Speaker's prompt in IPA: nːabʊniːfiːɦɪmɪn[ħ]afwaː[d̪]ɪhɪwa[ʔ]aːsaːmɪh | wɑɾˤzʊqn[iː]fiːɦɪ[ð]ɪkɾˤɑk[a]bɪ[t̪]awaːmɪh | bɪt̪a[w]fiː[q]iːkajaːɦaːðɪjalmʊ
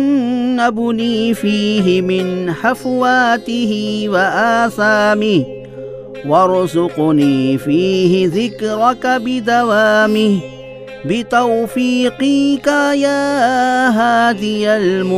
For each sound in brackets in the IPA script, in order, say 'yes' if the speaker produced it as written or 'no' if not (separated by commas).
yes, no, yes, yes, yes, yes, no, yes, yes